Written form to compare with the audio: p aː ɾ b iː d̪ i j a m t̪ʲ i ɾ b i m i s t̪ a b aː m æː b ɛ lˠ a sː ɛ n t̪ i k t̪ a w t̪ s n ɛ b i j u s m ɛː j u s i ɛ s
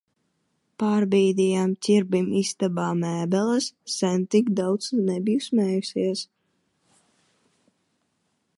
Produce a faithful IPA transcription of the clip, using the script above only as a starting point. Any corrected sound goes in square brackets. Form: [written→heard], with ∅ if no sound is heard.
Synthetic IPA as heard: p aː ɾ b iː d̪ i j a m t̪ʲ i ɾ b i m i s t̪ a b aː m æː b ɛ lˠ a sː ɛ n t̪ i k [t̪→d̪] a w t̪ s n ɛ b i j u s m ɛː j u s i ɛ s